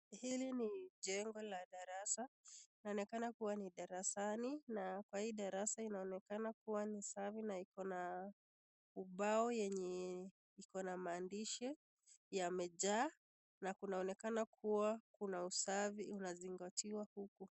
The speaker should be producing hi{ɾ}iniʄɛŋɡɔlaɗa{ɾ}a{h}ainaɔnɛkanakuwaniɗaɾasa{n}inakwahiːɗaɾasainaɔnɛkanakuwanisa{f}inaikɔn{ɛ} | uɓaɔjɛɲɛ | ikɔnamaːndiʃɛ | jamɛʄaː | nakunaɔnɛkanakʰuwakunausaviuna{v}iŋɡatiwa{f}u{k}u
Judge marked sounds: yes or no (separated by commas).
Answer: no, yes, no, yes, no, no, no, no, yes